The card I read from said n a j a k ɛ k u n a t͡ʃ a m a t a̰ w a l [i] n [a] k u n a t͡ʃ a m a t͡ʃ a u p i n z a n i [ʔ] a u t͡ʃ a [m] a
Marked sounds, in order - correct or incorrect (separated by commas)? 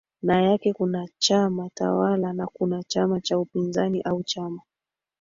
incorrect, correct, correct, correct